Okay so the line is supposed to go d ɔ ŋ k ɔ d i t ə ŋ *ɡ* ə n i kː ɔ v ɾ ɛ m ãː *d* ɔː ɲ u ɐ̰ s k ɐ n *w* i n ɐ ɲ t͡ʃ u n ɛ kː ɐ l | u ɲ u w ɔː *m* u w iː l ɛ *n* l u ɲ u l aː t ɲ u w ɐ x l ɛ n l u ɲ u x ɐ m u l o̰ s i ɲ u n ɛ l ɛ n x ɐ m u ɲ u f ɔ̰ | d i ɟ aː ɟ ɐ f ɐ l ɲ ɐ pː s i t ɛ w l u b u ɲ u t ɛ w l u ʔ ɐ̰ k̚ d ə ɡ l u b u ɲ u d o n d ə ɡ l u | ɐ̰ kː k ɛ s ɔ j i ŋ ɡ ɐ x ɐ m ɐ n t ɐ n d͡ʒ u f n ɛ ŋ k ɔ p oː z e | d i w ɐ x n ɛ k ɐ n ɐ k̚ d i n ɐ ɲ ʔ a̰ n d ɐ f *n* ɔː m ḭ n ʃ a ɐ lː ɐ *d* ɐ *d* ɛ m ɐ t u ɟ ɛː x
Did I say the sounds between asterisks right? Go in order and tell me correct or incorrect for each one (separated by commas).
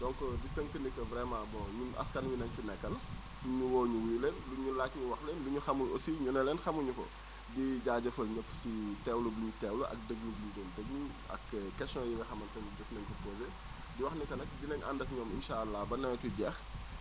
incorrect, incorrect, correct, incorrect, correct, incorrect, incorrect, incorrect